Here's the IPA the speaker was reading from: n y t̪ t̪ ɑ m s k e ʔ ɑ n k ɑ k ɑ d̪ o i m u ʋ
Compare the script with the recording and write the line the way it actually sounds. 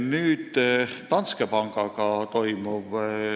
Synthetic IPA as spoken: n yː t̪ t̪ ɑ n s k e p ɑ ŋ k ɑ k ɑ t̪ o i m u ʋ